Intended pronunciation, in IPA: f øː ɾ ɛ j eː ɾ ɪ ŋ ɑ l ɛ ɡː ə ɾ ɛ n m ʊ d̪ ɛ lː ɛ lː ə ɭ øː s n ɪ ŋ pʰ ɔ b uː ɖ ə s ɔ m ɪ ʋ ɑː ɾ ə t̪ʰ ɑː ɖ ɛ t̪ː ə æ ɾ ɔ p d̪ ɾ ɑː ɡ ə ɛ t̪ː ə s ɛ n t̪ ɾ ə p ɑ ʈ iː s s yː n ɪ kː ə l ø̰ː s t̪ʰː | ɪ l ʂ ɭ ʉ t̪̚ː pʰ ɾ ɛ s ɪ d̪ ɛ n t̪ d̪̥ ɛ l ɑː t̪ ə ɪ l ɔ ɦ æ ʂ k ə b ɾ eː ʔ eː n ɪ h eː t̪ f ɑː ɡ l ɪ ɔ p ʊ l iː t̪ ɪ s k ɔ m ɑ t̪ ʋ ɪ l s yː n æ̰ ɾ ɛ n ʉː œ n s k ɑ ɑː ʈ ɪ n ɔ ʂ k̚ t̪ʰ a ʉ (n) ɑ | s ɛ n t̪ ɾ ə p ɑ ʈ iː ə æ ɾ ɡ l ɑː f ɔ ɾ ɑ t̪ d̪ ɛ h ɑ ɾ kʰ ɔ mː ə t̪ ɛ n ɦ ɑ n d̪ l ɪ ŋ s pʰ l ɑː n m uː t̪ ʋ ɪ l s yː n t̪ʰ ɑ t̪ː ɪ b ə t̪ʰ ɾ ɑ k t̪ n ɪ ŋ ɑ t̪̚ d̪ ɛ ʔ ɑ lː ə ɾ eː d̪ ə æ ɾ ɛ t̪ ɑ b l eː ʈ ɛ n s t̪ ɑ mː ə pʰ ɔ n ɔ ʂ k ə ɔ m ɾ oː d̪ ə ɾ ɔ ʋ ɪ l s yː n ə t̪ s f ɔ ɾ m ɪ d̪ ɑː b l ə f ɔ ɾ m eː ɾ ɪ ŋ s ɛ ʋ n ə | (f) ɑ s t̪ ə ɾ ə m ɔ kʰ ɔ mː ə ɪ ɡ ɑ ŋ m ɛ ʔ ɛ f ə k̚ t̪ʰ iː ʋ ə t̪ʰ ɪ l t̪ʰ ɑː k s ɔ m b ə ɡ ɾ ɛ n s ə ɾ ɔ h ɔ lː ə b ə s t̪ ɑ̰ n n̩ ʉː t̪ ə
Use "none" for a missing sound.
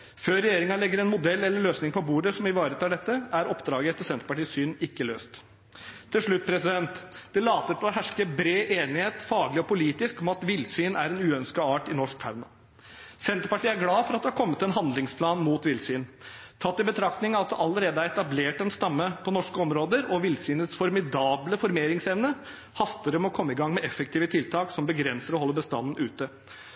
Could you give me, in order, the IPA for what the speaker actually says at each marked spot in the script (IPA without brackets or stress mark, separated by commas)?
n, h